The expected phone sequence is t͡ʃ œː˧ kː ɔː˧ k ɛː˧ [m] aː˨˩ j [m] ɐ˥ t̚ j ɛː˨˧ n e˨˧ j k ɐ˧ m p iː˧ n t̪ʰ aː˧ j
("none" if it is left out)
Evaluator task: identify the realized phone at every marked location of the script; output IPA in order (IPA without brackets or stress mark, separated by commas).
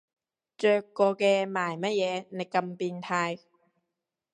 m, m